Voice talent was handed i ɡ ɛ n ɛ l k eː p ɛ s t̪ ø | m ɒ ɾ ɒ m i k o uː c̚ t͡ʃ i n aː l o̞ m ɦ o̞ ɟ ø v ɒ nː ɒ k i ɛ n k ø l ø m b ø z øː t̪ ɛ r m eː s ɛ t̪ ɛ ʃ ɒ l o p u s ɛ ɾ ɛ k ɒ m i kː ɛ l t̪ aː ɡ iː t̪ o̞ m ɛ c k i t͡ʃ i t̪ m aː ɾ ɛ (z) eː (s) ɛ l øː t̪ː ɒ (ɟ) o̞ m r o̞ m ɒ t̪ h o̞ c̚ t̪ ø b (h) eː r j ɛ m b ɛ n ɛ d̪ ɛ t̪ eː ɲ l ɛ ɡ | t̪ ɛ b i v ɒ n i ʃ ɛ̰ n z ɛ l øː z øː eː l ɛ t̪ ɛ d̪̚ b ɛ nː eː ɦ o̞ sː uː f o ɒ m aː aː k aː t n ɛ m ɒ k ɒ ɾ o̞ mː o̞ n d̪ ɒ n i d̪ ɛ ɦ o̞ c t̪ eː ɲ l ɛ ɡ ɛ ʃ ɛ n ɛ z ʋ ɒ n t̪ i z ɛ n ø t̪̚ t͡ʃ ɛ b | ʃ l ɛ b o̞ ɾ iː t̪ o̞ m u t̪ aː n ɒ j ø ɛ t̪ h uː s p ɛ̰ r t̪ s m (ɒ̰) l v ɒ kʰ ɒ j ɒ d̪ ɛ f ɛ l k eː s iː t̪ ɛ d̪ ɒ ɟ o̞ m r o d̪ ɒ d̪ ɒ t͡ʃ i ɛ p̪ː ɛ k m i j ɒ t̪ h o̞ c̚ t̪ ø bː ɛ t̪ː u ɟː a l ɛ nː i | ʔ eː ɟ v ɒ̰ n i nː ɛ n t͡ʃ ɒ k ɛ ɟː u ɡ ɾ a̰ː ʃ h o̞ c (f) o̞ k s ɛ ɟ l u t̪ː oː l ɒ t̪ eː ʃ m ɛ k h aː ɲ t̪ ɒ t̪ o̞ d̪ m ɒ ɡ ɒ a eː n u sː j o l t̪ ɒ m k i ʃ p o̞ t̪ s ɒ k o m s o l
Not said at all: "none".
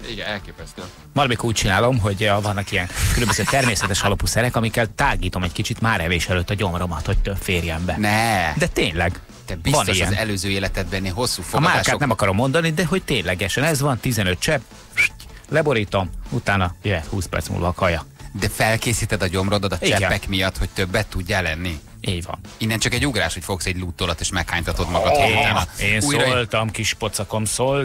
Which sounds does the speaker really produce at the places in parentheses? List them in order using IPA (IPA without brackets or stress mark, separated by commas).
v, ʃ, ɟ, f, ṵ, f